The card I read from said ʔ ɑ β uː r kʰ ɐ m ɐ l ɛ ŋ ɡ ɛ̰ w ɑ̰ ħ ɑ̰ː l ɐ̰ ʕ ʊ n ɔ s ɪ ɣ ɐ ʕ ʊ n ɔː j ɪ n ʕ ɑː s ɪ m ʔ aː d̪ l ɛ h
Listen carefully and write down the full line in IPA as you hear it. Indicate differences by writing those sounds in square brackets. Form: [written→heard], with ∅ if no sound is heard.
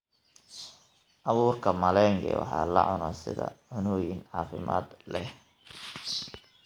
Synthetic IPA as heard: ʔ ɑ β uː r kʰ ɐ m ɐ l ɛ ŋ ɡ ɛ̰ w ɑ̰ ħ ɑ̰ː l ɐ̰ ʕ ʊ n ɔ s ɪ [ɣ→ð] ɐ ʕ ʊ n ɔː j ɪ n ʕ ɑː [s→f] ɪ m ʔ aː d̪ l ɛ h

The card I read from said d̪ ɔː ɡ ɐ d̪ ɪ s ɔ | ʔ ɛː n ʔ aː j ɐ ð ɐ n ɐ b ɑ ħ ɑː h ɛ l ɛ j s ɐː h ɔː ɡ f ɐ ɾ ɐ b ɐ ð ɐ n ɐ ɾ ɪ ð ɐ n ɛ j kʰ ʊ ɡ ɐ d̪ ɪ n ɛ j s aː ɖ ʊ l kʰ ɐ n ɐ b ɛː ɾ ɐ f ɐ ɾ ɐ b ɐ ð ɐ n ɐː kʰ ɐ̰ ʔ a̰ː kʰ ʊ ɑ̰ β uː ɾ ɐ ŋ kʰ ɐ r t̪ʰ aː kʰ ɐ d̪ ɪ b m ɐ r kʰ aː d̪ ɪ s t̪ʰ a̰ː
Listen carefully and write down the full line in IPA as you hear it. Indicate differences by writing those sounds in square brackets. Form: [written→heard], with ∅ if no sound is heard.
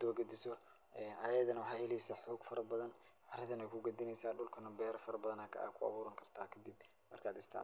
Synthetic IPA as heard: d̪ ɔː ɡ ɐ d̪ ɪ s ɔ | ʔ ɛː n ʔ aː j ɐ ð ɐ n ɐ [b→w] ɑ ħ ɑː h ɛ l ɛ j s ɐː [h→ħ] ɔː ɡ f ɐ ɾ ɐ b ɐ ð ɐ n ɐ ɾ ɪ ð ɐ n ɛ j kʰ ʊ ɡ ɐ d̪ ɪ n ɛ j s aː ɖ ʊ l kʰ ɐ n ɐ b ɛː ɾ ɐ f ɐ ɾ ɐ b ɐ ð ɐ n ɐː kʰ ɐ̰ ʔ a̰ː kʰ ʊ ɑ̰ β uː ɾ ɐ ŋ kʰ ɐ r t̪ʰ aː kʰ ɐ d̪ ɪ b m ɐ r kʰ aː d̪ ɪ s t̪ʰ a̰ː

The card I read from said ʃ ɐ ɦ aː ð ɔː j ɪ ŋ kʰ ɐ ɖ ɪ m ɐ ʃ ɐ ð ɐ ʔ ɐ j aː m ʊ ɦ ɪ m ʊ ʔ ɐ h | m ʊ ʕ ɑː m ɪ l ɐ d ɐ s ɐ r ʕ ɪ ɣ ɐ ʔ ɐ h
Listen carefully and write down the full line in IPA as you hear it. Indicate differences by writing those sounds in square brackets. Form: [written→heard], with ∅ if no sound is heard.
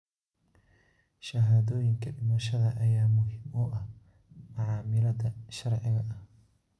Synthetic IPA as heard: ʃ ɐ ɦ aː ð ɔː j ɪ ŋ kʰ ɐ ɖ ɪ m ɐ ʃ ɐ ð ɐ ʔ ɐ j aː m ʊ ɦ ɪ m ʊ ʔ ɐ h | m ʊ ʕ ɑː m ɪ l ɐ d ɐ [s→ʃ] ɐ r ʕ ɪ ɣ ɐ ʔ ɐ h

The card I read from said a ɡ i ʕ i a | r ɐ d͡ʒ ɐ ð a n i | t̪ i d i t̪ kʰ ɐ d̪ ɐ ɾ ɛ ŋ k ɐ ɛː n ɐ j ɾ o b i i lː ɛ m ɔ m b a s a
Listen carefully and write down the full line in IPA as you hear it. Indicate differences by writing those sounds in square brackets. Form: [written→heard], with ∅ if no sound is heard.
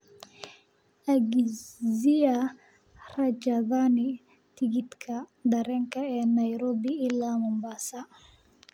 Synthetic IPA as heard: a ɡ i [ʕ→z] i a | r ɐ d͡ʒ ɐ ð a n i | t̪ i [d→ɡ] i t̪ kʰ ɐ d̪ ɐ ɾ ɛ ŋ k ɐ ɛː n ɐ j ɾ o b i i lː [ɛ→a] m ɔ m b a s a

